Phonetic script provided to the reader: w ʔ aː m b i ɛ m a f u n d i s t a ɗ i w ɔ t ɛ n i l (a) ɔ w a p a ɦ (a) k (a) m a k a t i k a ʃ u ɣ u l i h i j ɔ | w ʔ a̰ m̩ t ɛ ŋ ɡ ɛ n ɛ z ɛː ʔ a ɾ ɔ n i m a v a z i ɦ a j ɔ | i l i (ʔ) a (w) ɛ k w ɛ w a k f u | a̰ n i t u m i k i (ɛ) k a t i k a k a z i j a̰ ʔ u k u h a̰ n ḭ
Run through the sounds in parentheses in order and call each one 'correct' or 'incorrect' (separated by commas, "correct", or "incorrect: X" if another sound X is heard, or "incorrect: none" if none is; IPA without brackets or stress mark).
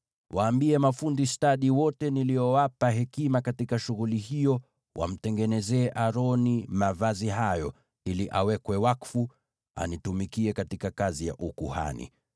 incorrect: i, incorrect: ɛ, incorrect: i, correct, correct, correct